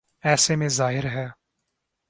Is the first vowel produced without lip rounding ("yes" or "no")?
yes